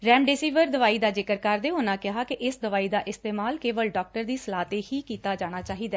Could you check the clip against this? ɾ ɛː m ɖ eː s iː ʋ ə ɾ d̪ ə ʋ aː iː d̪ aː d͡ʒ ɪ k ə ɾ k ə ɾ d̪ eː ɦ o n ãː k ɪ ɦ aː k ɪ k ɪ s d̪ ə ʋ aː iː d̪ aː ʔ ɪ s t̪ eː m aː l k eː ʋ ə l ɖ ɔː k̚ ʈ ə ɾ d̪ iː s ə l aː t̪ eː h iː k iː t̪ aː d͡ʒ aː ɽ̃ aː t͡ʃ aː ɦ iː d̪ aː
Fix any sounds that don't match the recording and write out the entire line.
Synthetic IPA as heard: ɾ ɛː m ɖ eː s iː ʋ ə ɾ d̪ ə ʋ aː iː d̪ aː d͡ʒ ɪ k ə ɾ k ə ɾ d̪ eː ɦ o n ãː k ɪ ɦ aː k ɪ ʔ ɪ s d̪ ə ʋ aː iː d̪ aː ʔ ɪ s t̪ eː m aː l k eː ʋ ə l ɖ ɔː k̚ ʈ ə ɾ d̪ iː s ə l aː t̪ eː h iː k iː t̪ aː d͡ʒ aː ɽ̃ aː t͡ʃ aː ɦ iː d̪ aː